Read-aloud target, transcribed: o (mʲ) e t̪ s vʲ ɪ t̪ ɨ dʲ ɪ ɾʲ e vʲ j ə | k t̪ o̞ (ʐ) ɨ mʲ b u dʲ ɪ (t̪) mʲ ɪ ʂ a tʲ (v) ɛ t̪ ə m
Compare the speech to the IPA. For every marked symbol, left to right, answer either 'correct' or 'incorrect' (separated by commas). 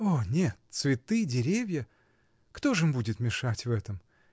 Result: incorrect, correct, correct, correct